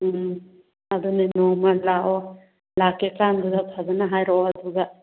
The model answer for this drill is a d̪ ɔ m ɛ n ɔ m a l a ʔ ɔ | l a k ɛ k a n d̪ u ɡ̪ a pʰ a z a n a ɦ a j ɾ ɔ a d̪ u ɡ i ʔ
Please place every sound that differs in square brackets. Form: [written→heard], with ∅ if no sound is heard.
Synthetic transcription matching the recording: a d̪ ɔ [m→n] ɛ n ɔ m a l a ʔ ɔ | l a k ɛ k a n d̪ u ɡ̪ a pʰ a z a n a ɦ a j ɾ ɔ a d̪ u ɡ [i→a] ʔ